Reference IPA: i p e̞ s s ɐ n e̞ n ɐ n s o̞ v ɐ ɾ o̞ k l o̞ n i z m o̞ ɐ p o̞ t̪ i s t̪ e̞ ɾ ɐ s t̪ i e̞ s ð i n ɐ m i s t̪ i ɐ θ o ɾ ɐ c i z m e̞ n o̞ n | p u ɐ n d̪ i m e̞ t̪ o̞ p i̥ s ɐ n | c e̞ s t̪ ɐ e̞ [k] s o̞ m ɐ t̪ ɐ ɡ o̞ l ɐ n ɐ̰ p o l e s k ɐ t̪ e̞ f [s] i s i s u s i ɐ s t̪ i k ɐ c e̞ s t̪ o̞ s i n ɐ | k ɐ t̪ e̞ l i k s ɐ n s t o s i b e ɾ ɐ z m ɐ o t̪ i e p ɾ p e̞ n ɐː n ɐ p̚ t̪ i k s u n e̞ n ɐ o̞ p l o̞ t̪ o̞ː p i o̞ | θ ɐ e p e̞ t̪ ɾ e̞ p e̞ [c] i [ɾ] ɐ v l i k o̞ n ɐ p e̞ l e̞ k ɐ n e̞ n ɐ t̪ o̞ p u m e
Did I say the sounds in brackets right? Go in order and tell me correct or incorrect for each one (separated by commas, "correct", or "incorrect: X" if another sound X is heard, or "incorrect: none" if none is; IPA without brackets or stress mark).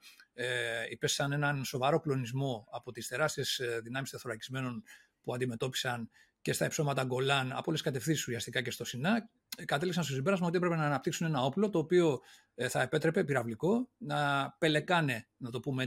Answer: incorrect: p, incorrect: θ, incorrect: p, correct